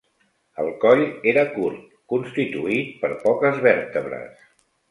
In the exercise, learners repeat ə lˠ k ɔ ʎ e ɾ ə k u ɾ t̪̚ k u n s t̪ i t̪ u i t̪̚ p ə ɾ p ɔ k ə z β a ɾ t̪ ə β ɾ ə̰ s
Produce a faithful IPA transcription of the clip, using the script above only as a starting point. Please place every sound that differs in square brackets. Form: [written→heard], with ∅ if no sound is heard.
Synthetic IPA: ə lˠ k ɔ ʎ e ɾ ə k u ɾ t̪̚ k u n s t̪ i t̪ u i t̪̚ p ə ɾ p ɔ k ə z β [a→ɛ] ɾ t̪ ə β ɾ ə̰ s

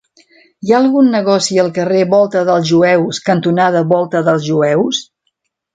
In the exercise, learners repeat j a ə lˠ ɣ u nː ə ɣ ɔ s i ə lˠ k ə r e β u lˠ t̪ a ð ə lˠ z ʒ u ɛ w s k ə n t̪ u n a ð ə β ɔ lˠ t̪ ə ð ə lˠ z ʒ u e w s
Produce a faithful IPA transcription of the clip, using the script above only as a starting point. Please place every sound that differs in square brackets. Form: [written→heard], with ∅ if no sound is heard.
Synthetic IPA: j a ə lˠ ɣ u nː ə ɣ ɔ s i ə lˠ k ə r e β [u→ɔ] lˠ t̪ [a→ə] ð ə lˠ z ʒ u ɛ w s k ə n t̪ u n a ð ə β ɔ lˠ t̪ ə ð ə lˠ z ʒ u [e→ɛ] w s

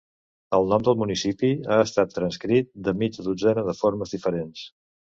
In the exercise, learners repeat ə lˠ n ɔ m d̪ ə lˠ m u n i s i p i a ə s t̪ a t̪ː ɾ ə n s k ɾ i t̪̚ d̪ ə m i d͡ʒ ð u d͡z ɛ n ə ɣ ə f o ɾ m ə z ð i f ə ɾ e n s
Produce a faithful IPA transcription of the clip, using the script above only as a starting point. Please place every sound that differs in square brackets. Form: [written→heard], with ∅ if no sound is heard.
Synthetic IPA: ə lˠ n ɔ m d̪ ə lˠ m u n i s i p i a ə s t̪ a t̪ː ɾ ə n s k ɾ i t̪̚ d̪ ə m i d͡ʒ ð u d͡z ɛ n ə [ɣ→ð] ə f o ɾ m ə z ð i f ə ɾ e n s

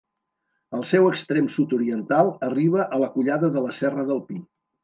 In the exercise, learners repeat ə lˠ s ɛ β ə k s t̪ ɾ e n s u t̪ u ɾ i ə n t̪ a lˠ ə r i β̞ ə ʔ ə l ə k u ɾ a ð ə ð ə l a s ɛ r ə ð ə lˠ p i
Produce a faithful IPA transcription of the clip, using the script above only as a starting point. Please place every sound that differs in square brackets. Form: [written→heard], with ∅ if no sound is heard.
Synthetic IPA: ə lˠ s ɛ [β→w] ə k s t̪ ɾ e [n→m] s u t̪ u ɾ i ə n t̪ a lˠ ə r i β̞ ə ʔ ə l ə k u [ɾ→ʎ] a ð ə ð ə l [a→ə] s ɛ r ə ð ə lˠ p i

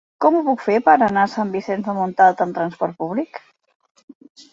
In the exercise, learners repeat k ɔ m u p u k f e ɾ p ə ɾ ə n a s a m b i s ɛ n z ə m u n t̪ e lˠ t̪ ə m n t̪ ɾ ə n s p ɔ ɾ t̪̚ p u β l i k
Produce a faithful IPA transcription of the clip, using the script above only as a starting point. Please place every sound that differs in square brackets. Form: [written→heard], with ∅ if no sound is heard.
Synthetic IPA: k ɔ m u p u k f e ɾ p ə ɾ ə n a s a m b i s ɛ n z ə m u n t̪ [e→a] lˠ t̪ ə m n t̪ ɾ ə n s p ɔ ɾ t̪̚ p u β l i k

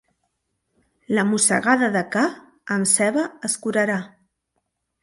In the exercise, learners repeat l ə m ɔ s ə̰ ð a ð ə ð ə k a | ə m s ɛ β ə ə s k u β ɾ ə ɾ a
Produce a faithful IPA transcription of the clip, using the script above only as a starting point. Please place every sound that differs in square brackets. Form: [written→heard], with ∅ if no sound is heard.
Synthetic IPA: l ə m [ɔ→u] s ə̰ [ð→ɣ] a ð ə ð ə k a | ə m s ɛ β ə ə s k u [β→∅] ɾ ə ɾ a

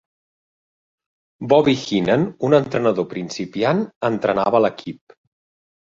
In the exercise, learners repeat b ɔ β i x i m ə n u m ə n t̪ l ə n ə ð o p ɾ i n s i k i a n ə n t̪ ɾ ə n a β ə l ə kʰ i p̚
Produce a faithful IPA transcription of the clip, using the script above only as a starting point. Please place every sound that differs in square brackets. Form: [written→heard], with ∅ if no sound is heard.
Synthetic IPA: b ɔ β i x i [m→n] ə n u [m→n] ə n t̪ [l→ɾ] ə n ə ð o p ɾ i n s i [k→p] i a n ə n t̪ ɾ ə n a β ə l ə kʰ i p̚

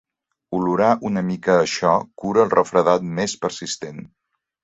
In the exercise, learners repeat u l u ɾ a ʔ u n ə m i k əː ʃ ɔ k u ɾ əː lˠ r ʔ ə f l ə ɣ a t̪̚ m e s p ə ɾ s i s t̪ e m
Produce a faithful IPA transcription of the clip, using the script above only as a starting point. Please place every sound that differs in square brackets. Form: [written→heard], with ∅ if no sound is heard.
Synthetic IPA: u l u ɾ a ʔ u n ə m i k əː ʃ ɔ k u ɾ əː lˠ r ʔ ə f [l→ɾ] ə [ɣ→ð] a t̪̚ m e s p ə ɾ s i s t̪ e [m→n]

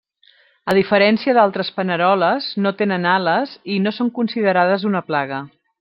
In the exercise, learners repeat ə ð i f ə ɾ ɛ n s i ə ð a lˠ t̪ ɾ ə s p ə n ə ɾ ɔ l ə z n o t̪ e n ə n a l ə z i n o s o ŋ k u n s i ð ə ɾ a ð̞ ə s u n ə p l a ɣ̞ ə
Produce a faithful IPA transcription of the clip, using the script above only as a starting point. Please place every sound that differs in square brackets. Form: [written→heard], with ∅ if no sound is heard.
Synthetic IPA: ə ð i f ə ɾ ɛ n s i ə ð a lˠ t̪ ɾ ə s p ə n ə ɾ ɔ l ə z n o t̪ e n ə n a l ə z i n o s o ŋ k u n s i ð ə ɾ a ð̞ ə [s→z] u n ə p l a ɣ̞ ə

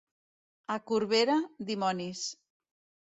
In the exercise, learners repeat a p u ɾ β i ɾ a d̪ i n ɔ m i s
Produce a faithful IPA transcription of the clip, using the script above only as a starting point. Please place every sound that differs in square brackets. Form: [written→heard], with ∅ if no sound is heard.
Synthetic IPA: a [p→k] u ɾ β [i→e] ɾ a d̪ i [n→m] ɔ [m→n] i s

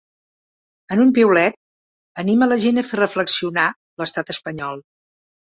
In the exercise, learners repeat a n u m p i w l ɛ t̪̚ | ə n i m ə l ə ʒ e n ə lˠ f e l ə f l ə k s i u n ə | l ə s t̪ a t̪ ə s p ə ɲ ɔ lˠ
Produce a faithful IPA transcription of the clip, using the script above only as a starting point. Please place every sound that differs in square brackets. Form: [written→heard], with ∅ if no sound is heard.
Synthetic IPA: [a→ə] n u m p i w l ɛ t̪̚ | ə n i m ə l ə ʒ e n ə [lˠ→∅] f e [l→r] ə f l ə k s i u n [ə→a] | l ə s t̪ a t̪ ə s p ə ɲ ɔ lˠ

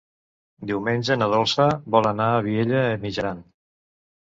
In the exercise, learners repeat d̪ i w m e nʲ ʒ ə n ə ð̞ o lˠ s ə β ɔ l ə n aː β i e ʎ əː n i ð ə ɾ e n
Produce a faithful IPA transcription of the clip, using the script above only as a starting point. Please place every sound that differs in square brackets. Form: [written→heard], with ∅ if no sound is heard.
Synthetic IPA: d̪ i w m e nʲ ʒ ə n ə ð̞ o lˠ s ə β ɔ l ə n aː β i e ʎ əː [n→m] i [ð→ʒ] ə ɾ [e→a] n

